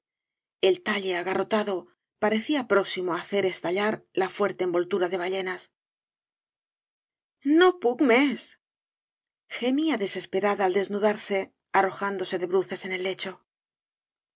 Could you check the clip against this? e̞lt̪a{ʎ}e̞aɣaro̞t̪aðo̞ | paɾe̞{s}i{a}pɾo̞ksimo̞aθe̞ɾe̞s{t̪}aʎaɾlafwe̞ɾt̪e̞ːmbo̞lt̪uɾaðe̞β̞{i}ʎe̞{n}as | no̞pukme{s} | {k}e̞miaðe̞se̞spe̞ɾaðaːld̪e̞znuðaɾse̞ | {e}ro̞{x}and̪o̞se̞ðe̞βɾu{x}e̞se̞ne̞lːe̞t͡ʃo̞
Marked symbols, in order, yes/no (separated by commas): yes, no, yes, yes, no, yes, yes, no, no, yes, no